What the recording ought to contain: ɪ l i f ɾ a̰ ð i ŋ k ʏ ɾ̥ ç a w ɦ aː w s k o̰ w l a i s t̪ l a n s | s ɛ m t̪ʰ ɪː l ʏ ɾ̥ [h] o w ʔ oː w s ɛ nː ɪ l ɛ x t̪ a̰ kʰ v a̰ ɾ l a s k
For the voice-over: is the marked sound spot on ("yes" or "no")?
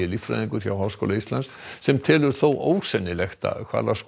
no